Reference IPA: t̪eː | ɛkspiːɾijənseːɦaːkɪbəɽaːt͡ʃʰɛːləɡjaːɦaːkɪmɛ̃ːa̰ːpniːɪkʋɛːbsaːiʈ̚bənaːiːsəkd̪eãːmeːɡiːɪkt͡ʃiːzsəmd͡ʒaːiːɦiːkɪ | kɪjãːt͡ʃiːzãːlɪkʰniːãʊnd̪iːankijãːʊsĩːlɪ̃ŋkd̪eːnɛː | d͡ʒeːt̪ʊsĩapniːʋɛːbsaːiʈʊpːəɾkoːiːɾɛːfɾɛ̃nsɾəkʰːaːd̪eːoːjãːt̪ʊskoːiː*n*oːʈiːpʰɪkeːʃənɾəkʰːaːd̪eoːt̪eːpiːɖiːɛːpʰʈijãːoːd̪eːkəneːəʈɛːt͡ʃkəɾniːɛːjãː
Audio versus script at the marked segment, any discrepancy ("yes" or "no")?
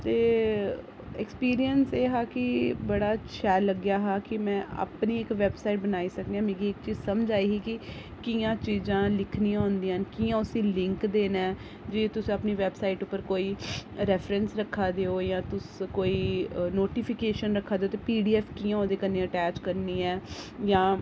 no